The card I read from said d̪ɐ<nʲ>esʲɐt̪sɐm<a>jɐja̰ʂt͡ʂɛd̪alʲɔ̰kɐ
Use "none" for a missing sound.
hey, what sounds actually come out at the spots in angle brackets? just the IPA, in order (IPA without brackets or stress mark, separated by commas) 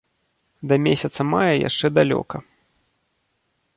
mʲ, a